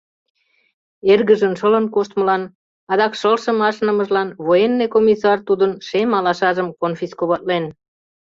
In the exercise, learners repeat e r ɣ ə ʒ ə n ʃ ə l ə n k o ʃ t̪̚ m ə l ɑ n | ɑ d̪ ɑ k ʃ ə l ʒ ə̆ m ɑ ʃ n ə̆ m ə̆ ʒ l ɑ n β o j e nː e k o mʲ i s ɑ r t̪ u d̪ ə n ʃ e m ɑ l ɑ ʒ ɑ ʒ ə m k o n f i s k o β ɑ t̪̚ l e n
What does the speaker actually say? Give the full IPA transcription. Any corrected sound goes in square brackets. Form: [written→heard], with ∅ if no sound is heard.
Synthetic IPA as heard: e r ɣ ə ʒ ə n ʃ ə l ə n k o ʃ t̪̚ m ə l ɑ n | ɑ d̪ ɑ k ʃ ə l [ʒ→ʃ] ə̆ m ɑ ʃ n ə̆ m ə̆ ʒ l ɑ n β o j e nː e k o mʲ i s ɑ r t̪ u d̪ ə n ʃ e m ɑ l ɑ [ʒ→ʃ] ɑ ʒ ə m k o n f i s k o β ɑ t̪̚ l e n